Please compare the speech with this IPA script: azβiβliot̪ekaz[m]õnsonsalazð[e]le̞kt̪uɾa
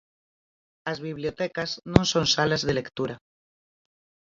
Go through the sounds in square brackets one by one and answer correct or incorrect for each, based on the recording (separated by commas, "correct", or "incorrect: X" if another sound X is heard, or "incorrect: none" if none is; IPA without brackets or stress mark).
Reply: incorrect: n, correct